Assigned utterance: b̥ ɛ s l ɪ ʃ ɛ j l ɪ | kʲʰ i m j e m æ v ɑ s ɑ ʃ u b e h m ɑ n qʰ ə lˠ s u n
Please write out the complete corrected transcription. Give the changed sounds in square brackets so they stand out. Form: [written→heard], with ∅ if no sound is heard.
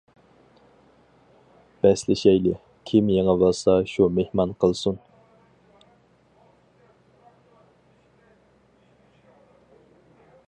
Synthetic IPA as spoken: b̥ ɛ s l ɪ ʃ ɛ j l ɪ | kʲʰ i m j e [m→ŋ] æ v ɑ s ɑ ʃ u [b→m] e h m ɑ n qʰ ə lˠ s u n